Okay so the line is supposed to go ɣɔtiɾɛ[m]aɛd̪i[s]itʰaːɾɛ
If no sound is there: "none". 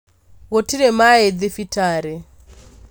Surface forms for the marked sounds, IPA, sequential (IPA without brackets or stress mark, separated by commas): m, f